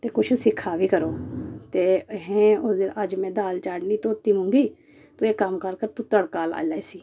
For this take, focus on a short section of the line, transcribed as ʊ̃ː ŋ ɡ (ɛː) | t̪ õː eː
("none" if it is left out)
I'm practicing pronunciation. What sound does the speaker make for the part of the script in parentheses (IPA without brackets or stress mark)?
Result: iː